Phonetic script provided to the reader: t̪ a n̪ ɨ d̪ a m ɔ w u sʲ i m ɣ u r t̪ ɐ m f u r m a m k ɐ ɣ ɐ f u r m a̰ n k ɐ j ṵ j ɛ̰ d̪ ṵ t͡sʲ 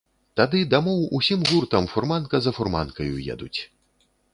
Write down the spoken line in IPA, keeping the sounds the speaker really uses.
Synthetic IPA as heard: t̪ a d̪ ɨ d̪ a m ɔ w u sʲ i m ɣ u r t̪ ɐ m f u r m a n k ɐ z ɐ f u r m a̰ n k ɐ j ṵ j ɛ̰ d̪ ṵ t͡sʲ